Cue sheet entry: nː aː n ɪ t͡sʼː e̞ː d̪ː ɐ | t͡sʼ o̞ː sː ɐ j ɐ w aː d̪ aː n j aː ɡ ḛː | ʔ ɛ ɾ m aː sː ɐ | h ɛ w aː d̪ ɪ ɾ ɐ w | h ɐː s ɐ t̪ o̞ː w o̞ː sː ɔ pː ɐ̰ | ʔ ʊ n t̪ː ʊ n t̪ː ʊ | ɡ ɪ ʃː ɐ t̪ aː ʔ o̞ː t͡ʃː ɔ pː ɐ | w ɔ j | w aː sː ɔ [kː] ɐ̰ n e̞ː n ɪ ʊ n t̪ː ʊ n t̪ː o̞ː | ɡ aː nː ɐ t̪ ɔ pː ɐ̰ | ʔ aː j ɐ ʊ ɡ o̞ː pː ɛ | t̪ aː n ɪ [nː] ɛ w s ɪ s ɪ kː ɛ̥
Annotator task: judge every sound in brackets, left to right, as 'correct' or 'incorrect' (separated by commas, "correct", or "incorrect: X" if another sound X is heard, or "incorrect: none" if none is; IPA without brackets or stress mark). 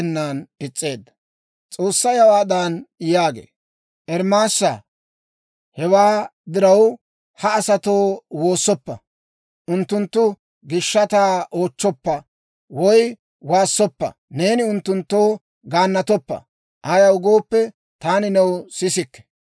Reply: incorrect: pː, incorrect: n